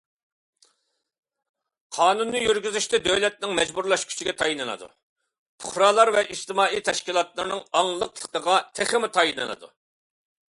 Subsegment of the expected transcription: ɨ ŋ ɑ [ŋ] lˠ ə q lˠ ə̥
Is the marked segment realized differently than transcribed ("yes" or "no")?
no